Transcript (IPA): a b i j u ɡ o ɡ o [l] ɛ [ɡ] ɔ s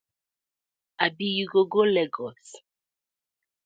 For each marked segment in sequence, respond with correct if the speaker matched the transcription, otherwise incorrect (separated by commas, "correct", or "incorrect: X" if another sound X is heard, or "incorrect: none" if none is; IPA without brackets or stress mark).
correct, correct